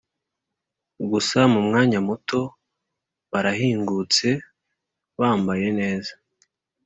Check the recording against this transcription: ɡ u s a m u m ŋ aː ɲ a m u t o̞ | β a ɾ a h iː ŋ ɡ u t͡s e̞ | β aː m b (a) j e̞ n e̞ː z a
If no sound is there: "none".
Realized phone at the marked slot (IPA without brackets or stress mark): a